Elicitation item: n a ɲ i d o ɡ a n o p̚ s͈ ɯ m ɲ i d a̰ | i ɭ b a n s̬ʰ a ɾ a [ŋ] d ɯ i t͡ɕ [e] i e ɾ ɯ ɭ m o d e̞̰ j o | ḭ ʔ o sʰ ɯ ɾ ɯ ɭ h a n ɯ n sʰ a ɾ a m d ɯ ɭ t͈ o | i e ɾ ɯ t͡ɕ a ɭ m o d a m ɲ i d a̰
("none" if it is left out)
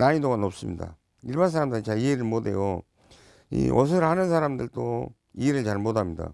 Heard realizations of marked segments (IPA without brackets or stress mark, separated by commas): m, a